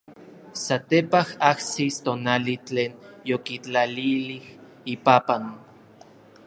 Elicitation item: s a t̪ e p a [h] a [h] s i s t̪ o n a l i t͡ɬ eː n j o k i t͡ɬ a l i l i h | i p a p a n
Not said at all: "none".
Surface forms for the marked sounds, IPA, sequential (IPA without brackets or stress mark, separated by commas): h, h